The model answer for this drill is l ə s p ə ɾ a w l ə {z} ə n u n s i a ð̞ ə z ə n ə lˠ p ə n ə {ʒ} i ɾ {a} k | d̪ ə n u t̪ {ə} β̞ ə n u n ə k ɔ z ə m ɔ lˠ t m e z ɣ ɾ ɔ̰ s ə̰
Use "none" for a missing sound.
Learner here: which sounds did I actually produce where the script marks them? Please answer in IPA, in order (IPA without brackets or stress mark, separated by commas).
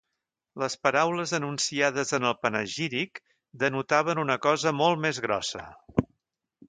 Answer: z, ʒ, i, a